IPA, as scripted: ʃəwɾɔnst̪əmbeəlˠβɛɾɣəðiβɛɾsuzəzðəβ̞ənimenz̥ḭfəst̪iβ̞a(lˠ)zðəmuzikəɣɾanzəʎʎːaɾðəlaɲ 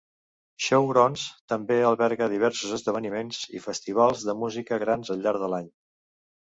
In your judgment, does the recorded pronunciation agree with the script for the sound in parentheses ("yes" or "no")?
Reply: yes